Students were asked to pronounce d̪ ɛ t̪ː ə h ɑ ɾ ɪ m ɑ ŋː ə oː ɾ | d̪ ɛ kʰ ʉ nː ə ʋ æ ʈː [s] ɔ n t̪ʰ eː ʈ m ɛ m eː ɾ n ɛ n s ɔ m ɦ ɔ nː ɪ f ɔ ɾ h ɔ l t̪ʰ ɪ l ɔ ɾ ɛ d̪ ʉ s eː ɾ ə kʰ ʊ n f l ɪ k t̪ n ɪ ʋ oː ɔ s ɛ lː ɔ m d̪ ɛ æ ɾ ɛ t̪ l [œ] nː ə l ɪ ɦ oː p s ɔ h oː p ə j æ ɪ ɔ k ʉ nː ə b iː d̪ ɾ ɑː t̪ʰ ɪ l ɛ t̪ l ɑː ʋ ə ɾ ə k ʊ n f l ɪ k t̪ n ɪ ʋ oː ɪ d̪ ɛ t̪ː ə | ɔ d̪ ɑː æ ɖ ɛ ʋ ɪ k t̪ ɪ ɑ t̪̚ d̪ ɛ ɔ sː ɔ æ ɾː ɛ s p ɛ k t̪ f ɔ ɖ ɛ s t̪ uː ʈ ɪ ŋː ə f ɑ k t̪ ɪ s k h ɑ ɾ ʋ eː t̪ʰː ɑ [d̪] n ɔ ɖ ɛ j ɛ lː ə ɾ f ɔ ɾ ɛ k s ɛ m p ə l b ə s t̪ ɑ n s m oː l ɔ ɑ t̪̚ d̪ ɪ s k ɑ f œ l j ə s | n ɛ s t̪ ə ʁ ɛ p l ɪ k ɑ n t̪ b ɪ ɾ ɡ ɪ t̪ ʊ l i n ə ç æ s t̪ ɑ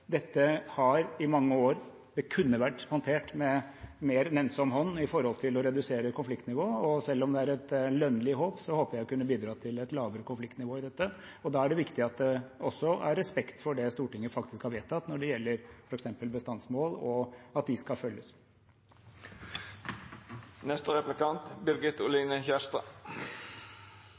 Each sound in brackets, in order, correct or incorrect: incorrect: h, correct, incorrect: t̪

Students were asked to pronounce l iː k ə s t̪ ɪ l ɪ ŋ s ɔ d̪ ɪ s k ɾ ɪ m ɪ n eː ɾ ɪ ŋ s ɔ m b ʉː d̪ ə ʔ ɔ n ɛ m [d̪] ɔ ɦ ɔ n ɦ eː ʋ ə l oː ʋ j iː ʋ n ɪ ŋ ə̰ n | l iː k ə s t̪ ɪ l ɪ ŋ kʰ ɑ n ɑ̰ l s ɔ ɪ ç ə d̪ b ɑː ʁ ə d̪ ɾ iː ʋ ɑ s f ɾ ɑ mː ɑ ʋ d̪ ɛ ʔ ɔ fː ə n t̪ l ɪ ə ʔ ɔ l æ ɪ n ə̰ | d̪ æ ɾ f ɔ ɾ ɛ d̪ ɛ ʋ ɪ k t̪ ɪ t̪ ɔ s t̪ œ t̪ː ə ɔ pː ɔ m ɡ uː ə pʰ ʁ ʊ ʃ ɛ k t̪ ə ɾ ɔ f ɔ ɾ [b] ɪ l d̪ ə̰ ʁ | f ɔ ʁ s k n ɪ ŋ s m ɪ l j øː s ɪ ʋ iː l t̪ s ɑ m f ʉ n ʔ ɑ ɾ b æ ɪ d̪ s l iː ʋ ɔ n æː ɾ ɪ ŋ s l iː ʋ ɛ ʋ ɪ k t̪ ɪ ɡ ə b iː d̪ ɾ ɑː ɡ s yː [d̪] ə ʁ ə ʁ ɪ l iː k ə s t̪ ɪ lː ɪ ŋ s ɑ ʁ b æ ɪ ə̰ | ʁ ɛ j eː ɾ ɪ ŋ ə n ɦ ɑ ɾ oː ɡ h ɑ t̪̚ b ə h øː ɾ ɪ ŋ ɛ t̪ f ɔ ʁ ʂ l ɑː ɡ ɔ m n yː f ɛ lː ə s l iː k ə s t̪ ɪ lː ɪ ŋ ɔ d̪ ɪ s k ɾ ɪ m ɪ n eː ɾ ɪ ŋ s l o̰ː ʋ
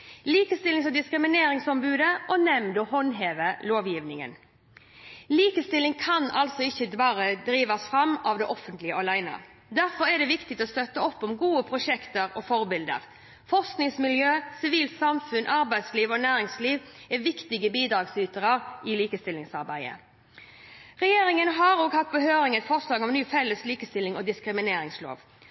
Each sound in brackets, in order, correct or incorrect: correct, correct, incorrect: t̪

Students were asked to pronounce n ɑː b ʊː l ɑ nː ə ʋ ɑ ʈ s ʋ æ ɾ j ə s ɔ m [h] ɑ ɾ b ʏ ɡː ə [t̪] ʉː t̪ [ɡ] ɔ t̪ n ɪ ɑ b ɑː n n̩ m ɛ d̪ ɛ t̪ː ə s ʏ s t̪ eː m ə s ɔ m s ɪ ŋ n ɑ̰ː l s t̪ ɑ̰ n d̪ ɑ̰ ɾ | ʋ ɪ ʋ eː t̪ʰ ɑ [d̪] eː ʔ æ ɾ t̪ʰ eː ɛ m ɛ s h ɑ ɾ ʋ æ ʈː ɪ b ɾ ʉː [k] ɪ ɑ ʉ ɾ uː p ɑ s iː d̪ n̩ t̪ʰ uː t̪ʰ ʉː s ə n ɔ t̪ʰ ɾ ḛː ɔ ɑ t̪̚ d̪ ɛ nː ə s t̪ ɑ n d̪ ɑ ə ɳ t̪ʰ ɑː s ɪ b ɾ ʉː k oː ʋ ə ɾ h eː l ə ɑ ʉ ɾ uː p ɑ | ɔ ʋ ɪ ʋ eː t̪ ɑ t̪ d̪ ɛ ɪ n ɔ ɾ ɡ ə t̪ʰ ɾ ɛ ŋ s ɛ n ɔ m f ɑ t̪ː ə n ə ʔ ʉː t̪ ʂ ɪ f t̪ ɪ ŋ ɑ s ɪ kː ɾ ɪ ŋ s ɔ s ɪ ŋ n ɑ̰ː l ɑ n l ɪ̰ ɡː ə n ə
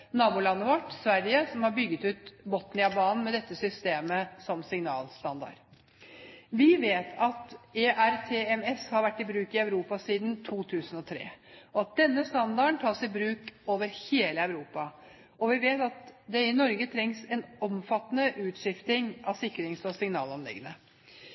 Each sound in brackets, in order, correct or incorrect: correct, correct, incorrect: b, incorrect: t̪, correct

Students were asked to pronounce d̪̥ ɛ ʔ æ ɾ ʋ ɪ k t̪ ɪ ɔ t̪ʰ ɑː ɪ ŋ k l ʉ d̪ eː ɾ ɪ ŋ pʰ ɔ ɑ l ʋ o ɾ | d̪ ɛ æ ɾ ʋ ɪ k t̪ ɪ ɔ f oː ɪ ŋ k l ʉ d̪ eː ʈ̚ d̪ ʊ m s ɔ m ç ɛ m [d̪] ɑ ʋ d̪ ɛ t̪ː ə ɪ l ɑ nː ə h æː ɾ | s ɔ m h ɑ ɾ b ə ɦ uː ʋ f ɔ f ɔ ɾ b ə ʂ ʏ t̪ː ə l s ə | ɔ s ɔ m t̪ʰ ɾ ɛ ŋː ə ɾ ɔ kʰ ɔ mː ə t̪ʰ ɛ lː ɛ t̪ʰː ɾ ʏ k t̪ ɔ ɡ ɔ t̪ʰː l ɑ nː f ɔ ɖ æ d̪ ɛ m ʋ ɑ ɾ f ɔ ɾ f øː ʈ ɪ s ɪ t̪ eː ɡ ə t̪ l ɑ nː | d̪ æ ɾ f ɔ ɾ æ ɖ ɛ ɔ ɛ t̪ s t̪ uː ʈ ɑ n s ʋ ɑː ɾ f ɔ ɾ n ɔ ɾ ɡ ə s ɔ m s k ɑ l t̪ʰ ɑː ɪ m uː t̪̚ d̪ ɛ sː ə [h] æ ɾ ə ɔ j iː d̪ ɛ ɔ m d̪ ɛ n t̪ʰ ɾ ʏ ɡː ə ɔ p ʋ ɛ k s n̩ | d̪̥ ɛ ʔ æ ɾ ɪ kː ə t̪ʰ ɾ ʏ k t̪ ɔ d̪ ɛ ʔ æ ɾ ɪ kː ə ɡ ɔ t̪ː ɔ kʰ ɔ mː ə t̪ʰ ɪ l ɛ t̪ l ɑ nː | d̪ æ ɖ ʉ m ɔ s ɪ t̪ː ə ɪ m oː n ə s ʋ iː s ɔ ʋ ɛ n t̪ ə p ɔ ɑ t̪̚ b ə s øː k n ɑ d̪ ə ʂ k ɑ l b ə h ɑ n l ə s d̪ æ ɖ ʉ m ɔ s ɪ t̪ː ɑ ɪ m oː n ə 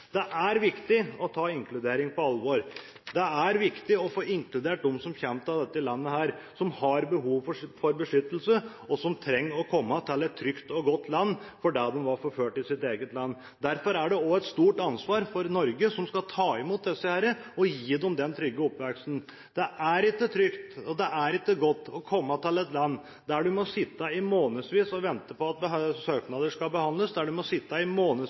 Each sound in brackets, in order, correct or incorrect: incorrect: t̪, correct

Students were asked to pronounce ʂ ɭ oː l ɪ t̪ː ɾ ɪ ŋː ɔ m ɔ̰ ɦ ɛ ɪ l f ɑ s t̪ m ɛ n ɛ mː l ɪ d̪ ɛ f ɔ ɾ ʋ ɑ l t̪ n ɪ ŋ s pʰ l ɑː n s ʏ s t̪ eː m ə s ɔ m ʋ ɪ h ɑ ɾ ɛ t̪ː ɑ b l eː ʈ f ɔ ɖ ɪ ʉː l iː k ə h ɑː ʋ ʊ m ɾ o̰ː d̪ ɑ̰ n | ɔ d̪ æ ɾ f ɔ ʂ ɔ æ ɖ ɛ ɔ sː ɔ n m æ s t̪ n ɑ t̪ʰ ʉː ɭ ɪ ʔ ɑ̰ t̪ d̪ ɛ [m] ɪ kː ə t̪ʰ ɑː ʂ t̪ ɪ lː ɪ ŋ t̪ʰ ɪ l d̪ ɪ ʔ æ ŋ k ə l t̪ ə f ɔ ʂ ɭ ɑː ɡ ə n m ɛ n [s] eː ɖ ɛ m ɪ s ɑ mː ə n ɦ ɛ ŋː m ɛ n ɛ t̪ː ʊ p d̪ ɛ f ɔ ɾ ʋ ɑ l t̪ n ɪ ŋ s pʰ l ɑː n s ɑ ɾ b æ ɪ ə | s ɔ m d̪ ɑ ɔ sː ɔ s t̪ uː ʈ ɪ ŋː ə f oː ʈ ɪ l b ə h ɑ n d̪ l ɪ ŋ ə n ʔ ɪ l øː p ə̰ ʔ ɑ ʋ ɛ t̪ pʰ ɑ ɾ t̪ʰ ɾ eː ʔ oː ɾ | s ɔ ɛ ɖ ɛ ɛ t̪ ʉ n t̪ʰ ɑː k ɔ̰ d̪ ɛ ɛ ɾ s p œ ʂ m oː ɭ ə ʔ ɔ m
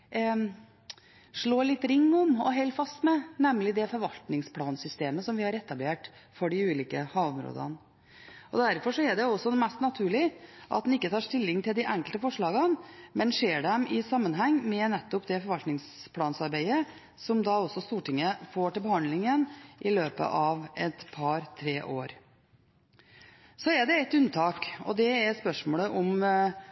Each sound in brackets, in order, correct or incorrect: incorrect: n, incorrect: ʂ

